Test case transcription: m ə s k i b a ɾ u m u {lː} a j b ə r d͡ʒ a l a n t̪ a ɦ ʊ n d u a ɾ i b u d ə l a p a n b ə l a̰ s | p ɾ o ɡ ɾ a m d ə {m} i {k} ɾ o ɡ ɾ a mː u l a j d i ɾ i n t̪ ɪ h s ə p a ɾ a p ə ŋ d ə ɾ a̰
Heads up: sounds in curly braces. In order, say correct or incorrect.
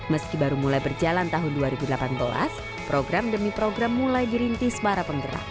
incorrect, correct, incorrect

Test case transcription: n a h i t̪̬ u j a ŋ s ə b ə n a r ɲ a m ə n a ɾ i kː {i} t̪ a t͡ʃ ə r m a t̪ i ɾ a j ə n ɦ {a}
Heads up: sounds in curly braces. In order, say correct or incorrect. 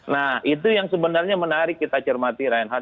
correct, correct

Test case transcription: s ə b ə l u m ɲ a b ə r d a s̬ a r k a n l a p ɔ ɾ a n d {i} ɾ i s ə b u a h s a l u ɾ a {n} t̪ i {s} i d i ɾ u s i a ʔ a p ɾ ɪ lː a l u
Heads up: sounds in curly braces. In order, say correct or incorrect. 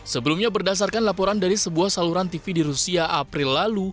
incorrect, correct, incorrect

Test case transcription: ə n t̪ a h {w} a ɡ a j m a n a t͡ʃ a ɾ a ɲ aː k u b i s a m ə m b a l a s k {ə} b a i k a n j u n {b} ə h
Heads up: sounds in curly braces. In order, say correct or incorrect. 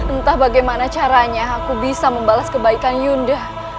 incorrect, correct, incorrect

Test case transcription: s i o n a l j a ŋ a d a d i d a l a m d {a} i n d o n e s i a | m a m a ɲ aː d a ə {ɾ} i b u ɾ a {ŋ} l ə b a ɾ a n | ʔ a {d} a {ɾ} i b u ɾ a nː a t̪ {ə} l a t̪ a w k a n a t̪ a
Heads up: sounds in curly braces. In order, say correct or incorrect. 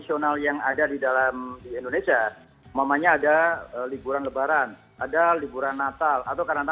incorrect, incorrect, incorrect, correct, incorrect, incorrect

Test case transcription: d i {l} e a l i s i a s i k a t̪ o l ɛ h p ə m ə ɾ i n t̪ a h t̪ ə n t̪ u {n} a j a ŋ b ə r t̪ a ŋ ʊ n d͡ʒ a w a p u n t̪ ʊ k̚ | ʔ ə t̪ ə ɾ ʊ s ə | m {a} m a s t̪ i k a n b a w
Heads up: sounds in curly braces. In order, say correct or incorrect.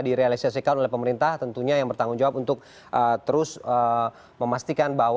incorrect, incorrect, incorrect

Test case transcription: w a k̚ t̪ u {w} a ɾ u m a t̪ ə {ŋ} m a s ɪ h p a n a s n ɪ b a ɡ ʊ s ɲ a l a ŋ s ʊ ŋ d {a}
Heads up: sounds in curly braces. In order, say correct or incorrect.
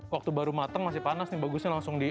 incorrect, correct, incorrect

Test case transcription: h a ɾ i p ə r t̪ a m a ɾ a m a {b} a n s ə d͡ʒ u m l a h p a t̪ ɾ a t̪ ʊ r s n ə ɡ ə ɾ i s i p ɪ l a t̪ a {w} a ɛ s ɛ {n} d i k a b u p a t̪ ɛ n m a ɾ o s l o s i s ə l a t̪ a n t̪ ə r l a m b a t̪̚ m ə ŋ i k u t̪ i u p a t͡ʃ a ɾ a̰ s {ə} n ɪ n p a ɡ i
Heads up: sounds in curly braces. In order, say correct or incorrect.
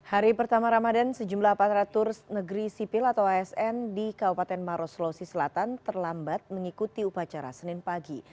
incorrect, correct, correct, correct

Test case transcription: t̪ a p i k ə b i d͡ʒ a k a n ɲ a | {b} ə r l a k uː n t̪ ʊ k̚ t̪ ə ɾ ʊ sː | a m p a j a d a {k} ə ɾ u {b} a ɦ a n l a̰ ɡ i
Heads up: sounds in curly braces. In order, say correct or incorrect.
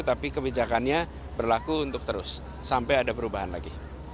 correct, incorrect, correct

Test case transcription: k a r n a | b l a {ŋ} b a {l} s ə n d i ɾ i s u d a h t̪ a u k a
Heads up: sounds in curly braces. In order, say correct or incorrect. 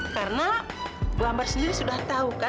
incorrect, incorrect

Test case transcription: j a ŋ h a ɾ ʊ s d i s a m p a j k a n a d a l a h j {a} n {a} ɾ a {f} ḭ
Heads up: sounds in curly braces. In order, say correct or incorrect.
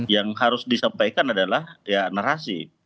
correct, correct, incorrect

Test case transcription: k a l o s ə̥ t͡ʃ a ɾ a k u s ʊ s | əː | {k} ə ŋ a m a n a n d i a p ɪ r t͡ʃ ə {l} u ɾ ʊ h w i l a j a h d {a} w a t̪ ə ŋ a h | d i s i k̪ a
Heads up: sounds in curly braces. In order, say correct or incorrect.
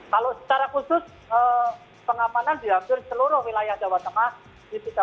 incorrect, correct, correct

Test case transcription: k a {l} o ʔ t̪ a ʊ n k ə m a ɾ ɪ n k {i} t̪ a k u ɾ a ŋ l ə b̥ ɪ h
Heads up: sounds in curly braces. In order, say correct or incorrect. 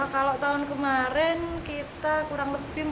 correct, correct

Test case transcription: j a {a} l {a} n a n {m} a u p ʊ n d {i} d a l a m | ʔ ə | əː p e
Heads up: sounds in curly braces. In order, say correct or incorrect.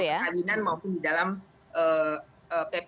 correct, incorrect, correct, correct

